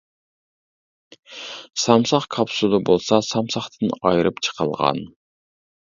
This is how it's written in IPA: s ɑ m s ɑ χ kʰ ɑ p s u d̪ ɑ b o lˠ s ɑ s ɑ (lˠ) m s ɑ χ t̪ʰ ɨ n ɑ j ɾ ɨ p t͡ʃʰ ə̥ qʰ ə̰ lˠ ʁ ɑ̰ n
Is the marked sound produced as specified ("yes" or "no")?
no